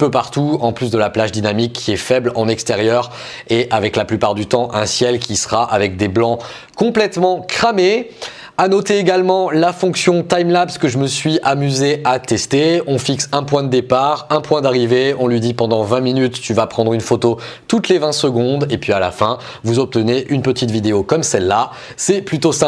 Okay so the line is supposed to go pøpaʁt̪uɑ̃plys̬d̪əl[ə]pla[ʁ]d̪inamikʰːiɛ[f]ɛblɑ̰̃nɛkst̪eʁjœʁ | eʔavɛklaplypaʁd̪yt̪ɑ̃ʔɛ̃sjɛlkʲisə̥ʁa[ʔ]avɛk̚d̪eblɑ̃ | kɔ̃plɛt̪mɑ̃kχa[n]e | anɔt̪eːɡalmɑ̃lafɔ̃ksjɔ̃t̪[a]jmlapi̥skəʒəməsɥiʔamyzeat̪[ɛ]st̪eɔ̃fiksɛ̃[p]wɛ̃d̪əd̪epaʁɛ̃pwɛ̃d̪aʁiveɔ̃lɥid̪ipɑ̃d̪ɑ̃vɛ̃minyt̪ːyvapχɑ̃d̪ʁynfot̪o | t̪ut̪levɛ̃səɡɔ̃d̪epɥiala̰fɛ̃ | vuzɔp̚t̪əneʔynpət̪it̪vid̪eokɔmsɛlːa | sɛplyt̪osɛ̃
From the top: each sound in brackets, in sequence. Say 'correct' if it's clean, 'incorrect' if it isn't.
incorrect: a, incorrect: ʒ, correct, correct, incorrect: m, correct, correct, correct

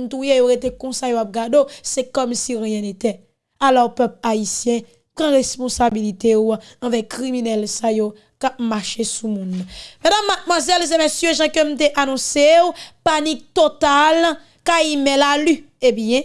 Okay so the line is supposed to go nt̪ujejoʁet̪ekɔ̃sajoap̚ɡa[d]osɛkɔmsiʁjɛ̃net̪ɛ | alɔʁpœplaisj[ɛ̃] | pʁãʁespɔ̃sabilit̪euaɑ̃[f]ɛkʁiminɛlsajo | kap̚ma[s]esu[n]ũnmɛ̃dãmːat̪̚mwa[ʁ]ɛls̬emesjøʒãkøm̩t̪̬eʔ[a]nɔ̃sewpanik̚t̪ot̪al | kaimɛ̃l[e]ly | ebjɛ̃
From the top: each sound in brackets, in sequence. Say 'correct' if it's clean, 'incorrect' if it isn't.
correct, correct, incorrect: v, incorrect: ʃ, incorrect: m, incorrect: z, correct, incorrect: a

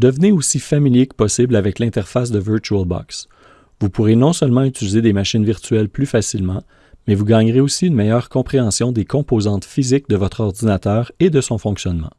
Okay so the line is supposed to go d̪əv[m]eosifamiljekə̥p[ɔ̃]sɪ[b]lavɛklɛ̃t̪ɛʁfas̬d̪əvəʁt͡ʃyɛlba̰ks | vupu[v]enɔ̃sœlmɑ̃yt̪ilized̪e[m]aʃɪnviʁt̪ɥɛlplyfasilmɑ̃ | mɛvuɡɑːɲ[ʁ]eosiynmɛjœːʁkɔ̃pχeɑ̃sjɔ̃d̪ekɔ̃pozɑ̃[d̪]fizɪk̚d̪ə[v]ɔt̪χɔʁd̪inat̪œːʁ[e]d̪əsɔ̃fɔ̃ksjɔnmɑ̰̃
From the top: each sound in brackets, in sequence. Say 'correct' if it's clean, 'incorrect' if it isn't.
incorrect: n, incorrect: ɔ, correct, incorrect: ʁ, correct, correct, incorrect: t̪, correct, correct

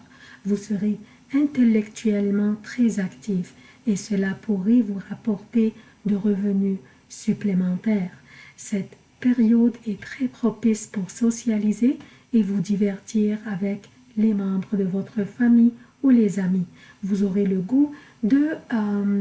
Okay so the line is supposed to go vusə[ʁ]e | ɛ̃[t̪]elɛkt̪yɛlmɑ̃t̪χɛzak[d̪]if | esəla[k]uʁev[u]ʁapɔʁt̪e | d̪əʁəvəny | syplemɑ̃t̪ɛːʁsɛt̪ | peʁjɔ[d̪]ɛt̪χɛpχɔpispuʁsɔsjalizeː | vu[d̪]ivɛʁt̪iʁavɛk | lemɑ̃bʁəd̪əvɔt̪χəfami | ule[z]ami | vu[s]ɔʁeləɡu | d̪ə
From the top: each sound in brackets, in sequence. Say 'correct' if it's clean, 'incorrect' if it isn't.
correct, correct, incorrect: t̪, incorrect: p, correct, correct, correct, correct, incorrect: z

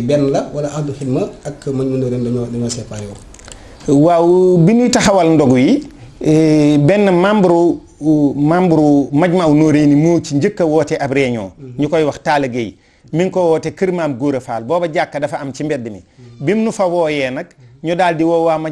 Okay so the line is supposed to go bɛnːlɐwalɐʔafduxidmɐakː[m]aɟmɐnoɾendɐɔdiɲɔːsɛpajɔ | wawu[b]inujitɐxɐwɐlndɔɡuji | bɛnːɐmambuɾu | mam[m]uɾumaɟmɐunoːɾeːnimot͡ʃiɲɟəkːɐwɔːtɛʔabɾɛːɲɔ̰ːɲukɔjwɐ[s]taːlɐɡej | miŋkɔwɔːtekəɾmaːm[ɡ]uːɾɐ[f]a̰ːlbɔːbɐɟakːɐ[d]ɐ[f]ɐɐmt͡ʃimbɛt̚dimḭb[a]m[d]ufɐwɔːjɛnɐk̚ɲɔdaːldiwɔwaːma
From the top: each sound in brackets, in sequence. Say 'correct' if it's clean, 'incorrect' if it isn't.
correct, correct, incorrect: b, incorrect: x, correct, correct, correct, correct, incorrect: i, incorrect: n

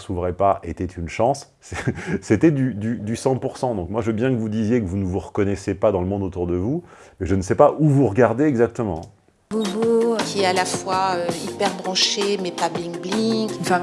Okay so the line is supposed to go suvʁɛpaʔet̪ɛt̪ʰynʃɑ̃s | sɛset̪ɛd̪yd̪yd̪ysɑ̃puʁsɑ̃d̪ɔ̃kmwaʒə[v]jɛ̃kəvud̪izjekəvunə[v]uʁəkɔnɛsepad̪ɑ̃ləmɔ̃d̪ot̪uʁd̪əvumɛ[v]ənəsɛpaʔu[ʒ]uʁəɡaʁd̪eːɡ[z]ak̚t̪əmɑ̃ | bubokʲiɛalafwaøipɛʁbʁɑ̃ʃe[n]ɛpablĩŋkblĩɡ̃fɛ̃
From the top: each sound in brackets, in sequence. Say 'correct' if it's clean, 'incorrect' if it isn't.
incorrect: b, correct, incorrect: ʒ, incorrect: v, correct, incorrect: m

